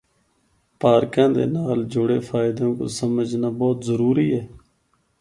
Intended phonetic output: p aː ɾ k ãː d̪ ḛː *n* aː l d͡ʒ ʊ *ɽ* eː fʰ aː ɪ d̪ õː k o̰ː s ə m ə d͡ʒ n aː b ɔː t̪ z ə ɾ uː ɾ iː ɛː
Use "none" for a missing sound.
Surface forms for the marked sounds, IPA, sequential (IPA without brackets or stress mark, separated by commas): n, ɽ